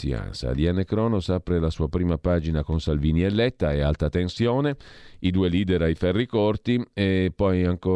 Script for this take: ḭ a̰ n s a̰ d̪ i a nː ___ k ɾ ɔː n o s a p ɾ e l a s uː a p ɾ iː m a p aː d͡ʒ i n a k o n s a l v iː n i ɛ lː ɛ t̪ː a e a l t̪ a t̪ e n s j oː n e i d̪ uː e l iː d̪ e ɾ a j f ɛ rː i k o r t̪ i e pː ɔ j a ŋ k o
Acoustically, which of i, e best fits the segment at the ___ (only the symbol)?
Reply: e